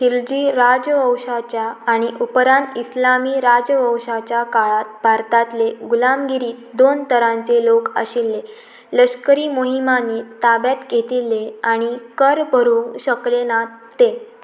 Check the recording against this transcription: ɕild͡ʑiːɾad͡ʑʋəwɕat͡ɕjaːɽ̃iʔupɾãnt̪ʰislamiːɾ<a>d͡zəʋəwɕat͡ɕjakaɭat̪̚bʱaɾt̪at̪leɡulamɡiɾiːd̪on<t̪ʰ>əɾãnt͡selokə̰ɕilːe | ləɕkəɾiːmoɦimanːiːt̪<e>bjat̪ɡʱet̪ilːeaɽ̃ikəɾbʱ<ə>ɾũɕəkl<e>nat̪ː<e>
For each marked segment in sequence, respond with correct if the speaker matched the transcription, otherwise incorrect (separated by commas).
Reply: correct, incorrect, incorrect, correct, correct, correct